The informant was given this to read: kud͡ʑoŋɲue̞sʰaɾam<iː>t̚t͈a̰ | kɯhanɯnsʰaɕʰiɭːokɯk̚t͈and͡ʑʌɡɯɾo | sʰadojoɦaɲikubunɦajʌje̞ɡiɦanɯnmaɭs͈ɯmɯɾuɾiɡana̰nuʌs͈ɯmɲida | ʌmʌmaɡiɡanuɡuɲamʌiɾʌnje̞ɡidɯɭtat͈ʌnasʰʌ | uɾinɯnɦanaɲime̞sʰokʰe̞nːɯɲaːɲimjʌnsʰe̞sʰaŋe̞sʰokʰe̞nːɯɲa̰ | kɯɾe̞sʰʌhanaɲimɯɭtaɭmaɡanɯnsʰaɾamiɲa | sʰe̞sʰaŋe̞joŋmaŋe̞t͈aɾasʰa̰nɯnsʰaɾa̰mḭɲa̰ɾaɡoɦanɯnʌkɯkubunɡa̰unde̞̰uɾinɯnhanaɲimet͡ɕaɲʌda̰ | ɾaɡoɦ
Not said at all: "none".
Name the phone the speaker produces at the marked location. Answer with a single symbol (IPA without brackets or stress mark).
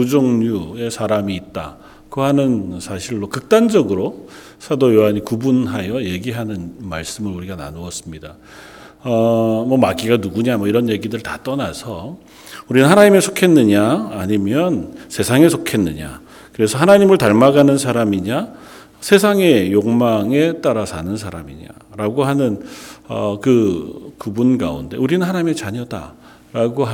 iː